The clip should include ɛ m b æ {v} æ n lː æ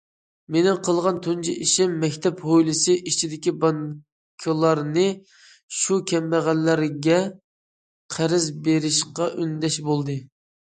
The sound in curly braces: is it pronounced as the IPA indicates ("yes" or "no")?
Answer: no